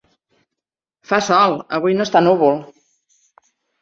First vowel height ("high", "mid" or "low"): low